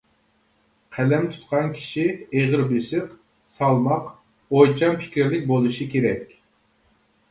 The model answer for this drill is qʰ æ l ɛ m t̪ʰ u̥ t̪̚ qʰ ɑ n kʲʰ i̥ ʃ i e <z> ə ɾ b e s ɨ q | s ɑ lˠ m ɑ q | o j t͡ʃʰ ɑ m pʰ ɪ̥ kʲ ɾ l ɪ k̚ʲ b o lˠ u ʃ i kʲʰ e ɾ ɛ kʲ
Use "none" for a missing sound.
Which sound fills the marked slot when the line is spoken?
ʁ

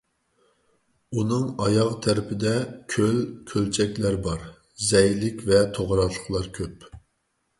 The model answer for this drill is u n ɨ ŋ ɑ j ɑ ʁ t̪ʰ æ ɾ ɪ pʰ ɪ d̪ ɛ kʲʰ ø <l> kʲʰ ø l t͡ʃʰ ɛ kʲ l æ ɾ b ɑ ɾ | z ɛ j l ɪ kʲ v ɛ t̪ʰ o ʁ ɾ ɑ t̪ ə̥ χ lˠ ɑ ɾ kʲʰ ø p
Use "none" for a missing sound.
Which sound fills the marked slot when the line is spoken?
l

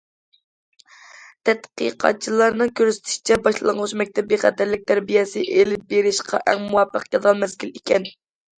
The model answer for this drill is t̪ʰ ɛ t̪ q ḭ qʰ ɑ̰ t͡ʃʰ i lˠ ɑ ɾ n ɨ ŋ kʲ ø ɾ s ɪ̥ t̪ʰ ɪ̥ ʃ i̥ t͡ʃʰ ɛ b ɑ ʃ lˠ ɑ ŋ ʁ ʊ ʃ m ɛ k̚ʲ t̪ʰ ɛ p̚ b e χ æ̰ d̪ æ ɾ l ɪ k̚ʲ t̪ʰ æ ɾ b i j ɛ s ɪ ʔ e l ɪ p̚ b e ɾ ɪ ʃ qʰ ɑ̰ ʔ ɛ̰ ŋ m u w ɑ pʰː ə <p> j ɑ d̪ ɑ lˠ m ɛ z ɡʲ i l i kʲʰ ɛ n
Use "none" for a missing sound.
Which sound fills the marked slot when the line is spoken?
q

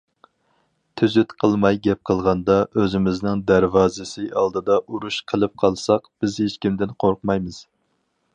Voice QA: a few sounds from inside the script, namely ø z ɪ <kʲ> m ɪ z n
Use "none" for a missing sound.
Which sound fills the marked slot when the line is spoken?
none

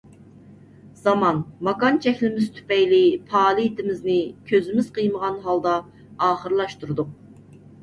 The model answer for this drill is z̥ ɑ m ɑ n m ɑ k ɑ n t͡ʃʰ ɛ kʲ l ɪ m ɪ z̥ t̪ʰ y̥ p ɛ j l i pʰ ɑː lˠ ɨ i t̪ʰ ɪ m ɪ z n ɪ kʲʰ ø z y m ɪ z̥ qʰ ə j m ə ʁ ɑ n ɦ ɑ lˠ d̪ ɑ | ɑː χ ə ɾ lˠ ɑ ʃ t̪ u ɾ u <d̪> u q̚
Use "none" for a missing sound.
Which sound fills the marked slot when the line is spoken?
d̪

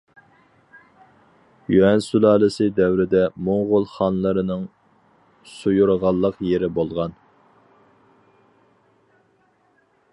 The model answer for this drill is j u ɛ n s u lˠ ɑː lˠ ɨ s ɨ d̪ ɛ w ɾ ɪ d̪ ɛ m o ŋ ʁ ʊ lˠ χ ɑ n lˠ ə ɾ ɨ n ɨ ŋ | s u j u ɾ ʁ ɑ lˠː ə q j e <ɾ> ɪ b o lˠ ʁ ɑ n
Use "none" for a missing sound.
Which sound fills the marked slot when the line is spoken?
ɾ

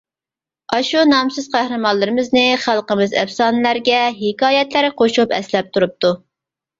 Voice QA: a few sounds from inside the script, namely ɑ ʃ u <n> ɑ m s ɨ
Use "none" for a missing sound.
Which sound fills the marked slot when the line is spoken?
n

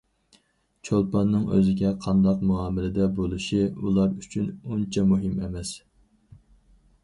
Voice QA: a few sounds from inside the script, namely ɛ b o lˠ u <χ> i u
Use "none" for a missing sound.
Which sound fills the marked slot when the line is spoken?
ʃ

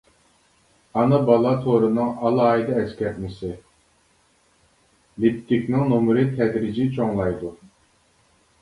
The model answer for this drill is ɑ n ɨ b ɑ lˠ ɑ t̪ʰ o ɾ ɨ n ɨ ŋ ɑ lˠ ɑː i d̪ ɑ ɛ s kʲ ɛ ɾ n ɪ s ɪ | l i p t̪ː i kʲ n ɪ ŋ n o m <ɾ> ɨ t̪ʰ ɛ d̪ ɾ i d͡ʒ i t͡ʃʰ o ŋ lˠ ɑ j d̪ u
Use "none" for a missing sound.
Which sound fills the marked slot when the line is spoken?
ɾ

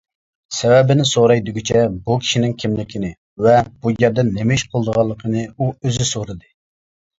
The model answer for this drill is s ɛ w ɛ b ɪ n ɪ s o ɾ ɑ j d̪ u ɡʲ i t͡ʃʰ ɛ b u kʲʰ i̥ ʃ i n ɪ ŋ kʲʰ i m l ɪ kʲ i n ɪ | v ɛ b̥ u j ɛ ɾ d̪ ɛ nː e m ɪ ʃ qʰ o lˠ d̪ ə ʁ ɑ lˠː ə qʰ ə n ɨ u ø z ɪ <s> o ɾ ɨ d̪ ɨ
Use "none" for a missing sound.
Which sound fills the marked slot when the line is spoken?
s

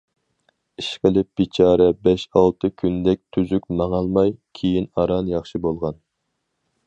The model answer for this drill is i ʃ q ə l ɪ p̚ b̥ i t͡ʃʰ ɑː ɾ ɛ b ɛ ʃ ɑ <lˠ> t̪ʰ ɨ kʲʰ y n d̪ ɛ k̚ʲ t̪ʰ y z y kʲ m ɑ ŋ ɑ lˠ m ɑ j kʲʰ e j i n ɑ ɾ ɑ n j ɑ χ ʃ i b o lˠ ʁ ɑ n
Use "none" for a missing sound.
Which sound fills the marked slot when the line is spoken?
lˠ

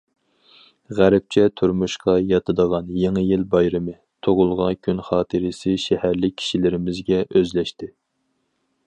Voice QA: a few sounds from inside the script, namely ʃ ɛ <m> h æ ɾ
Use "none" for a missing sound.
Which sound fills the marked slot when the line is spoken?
none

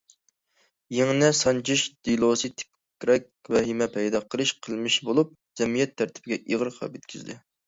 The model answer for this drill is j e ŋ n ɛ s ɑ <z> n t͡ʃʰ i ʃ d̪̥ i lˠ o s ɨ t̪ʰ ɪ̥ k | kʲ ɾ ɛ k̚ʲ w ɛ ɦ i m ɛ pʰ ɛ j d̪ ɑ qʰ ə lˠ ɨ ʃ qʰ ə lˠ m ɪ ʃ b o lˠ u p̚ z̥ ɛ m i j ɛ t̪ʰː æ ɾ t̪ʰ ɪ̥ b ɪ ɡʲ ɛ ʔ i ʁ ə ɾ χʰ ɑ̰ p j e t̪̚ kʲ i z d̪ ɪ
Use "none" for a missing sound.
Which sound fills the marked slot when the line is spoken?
none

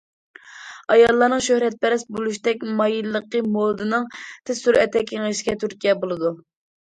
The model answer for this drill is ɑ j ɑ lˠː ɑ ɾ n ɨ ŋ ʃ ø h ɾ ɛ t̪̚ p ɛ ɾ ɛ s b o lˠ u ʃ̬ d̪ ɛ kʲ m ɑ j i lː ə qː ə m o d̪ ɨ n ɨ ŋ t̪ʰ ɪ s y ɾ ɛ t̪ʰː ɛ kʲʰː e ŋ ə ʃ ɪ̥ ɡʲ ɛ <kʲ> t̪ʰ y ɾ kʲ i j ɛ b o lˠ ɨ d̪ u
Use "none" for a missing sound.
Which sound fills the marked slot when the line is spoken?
none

